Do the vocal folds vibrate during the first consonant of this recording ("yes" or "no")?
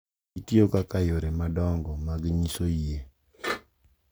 no